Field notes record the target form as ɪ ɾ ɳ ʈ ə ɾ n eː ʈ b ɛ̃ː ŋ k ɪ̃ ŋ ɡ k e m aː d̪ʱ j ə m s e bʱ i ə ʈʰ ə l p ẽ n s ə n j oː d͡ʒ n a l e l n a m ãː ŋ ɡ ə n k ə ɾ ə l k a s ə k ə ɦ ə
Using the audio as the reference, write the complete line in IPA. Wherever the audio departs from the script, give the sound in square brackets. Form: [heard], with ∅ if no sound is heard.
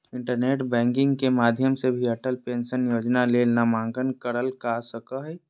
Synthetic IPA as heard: ɪ [∅] ɳ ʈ ə ɾ n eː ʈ b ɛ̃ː ŋ k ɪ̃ ŋ ɡ k e m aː d̪ʱ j ə m s e bʱ i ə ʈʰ ə l p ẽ n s ə n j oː d͡ʒ n a l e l n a m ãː ŋ ɡ ə n k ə ɾ ə l k a s ə k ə ɦ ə